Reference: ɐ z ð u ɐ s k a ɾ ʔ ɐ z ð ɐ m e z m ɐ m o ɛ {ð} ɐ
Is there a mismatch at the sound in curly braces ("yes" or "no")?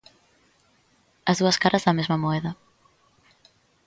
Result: no